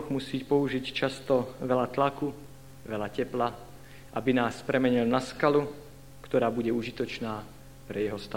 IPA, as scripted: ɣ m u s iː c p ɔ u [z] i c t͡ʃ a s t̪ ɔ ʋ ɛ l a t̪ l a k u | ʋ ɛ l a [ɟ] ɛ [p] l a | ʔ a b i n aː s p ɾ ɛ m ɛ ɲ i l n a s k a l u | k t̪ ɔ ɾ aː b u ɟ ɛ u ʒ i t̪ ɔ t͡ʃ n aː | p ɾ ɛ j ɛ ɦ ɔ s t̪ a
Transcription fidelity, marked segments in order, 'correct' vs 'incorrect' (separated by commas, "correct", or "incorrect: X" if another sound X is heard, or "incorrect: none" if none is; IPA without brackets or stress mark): incorrect: ʒ, incorrect: c, correct